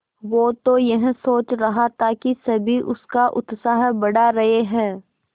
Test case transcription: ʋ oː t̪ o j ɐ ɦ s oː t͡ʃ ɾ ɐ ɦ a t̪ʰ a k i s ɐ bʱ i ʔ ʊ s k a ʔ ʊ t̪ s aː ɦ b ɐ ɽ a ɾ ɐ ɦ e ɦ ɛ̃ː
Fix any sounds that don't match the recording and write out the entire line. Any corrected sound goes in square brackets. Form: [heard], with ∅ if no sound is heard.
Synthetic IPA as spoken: ʋ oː t̪ o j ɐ ɦ s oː t͡ʃ ɾ ɐ ɦ a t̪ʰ a k i s ɐ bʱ i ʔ ʊ s k a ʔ ʊ t̪ s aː ɦ b ɐ ɽ a ɾ ɐ ɦ e ɦ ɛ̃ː